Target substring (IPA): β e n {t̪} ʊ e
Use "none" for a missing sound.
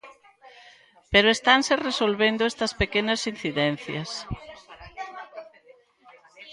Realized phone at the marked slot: d̪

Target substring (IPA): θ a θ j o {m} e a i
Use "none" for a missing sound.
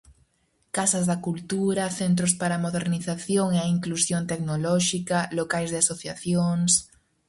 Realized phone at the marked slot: ŋ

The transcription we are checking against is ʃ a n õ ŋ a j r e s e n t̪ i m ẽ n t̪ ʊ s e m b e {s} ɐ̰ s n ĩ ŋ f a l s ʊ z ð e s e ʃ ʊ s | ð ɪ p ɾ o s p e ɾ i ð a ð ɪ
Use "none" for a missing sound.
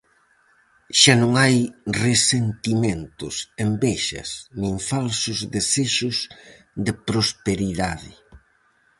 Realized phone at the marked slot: ʃ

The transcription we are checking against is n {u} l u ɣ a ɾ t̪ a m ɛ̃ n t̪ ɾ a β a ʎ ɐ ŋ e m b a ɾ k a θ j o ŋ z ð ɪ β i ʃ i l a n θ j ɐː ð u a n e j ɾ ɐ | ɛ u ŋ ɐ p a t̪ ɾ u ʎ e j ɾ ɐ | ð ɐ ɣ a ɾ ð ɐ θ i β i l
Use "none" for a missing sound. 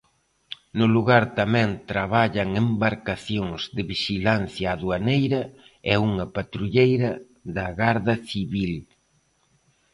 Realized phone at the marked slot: ʊ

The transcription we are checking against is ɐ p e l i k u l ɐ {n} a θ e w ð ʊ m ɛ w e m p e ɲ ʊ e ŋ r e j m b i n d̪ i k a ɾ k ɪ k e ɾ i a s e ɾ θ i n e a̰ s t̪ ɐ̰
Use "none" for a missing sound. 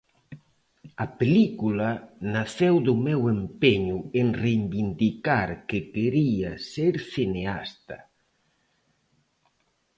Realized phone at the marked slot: n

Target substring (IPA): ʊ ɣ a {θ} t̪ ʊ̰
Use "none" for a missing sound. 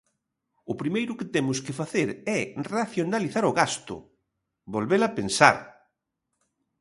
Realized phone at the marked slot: s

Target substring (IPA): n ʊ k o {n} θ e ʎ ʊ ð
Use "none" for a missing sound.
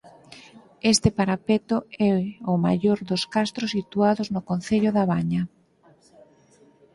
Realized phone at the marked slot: n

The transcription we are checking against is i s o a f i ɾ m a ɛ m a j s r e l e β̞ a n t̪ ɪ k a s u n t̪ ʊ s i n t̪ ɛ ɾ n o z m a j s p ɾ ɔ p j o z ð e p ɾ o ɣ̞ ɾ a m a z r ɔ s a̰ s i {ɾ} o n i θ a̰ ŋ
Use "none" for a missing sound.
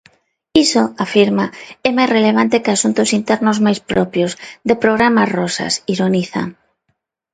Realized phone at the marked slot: ɾ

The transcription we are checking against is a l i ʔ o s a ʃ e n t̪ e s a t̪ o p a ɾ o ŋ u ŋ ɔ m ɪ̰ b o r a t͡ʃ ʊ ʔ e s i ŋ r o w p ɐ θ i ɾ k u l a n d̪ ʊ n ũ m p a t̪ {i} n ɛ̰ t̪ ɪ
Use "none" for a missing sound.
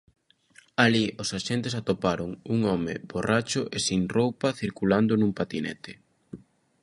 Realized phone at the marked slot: i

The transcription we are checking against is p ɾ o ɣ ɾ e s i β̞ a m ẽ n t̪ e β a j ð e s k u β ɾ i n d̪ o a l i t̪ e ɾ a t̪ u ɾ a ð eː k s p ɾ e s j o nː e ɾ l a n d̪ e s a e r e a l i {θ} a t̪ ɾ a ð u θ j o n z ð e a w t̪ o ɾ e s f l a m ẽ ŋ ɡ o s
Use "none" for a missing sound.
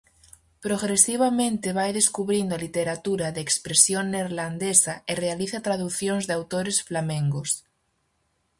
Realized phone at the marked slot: θ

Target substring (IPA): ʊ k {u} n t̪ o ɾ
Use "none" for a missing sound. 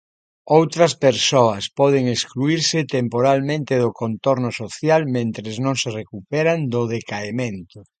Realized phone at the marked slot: o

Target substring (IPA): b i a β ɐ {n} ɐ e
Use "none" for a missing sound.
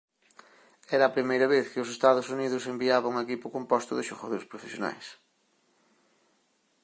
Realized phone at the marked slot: ŋ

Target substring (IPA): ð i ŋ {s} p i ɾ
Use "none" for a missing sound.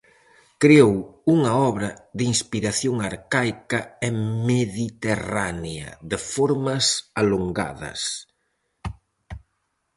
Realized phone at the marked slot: s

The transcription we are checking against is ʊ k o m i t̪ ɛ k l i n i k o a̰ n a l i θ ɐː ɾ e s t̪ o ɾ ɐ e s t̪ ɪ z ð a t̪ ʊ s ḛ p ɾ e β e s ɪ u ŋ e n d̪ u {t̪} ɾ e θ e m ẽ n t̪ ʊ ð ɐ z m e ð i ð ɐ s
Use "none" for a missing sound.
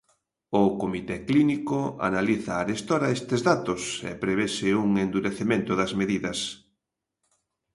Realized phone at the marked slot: none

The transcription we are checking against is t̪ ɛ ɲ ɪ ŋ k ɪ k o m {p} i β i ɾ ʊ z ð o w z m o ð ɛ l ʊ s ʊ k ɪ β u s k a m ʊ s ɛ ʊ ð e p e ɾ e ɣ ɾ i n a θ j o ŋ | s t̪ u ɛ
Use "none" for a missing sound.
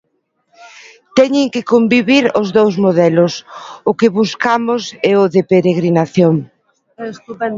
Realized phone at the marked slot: b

